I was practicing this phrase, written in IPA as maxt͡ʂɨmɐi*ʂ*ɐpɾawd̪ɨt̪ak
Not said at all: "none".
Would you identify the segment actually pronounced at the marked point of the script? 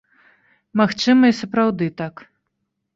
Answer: s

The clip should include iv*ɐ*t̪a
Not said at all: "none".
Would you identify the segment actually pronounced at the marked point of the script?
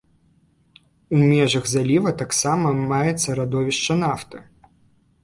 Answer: ɐ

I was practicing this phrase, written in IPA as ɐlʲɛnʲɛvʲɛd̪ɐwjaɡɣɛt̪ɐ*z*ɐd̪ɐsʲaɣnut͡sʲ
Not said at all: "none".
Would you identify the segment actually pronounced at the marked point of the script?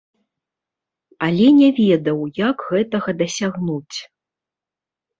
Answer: ɣ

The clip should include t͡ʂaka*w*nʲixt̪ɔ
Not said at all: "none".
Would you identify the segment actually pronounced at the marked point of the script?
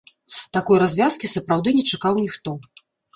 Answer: w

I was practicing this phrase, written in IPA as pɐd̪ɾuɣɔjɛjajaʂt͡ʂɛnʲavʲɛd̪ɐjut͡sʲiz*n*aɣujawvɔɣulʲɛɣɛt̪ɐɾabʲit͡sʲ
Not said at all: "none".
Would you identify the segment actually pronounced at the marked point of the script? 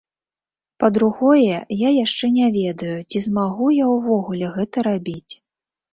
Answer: m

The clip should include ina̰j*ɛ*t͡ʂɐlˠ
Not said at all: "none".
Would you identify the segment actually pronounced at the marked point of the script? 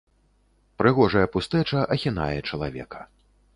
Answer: ɛ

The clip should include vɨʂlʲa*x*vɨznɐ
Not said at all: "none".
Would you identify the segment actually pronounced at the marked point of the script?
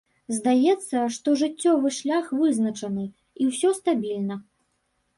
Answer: x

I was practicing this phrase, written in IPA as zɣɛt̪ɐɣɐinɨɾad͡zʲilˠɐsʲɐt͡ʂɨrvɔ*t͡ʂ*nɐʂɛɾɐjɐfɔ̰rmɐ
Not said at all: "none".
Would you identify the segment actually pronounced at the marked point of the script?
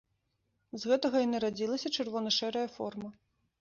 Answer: none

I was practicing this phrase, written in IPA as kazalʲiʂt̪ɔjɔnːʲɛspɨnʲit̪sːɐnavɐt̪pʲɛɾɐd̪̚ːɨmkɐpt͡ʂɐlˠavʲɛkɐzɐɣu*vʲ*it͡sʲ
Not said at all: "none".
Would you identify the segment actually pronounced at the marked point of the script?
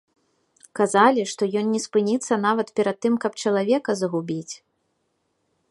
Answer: bʲ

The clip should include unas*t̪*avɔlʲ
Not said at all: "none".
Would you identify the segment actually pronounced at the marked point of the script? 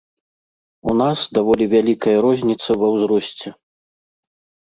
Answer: d̪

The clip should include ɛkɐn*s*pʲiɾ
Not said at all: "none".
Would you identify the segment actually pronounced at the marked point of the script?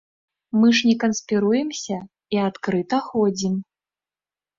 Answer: s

